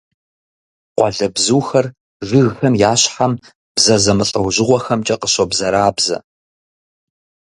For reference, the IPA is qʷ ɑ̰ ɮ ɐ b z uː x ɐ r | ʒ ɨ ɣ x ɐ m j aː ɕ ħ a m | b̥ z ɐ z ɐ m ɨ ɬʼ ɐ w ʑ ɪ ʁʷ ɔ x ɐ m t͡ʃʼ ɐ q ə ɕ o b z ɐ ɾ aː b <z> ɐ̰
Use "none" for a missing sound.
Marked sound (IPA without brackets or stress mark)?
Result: z